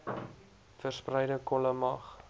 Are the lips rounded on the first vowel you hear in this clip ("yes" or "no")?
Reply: no